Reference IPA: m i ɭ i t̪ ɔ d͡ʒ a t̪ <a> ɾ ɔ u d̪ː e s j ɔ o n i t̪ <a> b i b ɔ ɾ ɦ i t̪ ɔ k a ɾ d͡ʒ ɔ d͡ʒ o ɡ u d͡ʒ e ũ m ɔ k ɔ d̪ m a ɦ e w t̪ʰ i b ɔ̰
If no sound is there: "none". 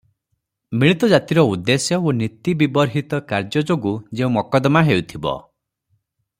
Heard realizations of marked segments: i, i

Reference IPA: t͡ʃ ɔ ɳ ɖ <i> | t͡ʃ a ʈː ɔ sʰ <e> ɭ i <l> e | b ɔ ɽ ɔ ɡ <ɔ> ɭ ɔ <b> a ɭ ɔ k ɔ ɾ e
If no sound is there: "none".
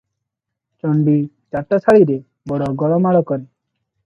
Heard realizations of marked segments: i, a, ɾ, ɔ, m

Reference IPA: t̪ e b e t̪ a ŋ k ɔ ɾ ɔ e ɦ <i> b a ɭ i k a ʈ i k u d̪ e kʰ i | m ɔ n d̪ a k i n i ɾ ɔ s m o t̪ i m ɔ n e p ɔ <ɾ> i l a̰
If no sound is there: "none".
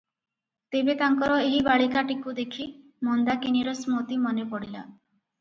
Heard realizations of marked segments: i, ɽ

